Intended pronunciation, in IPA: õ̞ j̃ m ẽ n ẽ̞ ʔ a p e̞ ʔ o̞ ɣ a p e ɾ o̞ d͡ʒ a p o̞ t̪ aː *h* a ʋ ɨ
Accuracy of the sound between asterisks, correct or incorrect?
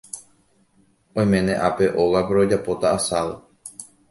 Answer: incorrect